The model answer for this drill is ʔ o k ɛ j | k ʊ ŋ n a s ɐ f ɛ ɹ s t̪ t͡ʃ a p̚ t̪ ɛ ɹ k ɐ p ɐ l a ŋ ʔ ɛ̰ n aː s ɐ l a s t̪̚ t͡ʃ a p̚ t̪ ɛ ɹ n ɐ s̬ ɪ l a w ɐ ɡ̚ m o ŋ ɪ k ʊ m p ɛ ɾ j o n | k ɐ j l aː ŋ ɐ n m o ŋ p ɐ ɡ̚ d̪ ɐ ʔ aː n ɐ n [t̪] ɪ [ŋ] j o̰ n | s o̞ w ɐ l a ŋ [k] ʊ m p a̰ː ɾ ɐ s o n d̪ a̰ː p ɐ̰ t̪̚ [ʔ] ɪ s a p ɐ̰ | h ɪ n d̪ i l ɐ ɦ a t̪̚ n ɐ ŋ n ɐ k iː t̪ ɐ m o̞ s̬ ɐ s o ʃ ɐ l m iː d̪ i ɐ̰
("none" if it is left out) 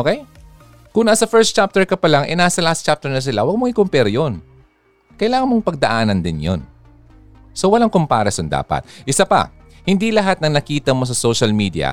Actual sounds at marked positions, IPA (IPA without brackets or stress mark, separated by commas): d̪, n, k, ʔ